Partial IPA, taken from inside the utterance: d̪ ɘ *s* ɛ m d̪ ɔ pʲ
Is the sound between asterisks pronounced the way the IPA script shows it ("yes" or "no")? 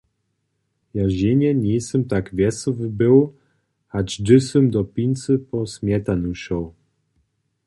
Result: yes